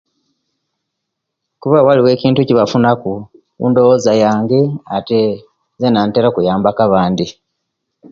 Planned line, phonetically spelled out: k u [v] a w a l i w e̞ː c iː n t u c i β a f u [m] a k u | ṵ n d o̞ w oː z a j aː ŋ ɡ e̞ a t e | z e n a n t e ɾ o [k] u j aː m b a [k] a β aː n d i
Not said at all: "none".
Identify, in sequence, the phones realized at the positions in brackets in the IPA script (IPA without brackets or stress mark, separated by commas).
β, n, k, k